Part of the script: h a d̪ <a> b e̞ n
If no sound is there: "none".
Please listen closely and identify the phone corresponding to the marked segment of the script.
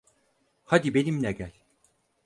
i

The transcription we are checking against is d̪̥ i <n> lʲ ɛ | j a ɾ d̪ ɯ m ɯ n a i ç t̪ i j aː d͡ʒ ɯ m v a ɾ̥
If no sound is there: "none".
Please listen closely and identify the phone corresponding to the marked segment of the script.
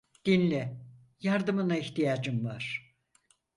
n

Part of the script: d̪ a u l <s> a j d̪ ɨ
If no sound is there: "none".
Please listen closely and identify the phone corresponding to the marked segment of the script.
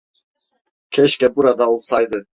s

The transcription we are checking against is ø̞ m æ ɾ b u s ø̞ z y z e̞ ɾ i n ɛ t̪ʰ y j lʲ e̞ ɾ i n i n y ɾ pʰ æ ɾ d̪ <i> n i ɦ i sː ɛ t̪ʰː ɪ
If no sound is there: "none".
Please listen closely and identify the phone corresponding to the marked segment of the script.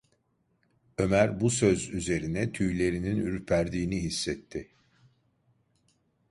iː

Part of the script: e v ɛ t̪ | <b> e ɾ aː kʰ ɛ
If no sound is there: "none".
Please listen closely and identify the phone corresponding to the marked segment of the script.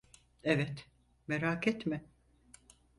m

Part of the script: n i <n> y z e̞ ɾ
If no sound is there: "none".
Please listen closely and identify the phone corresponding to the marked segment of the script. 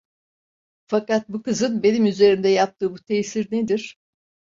m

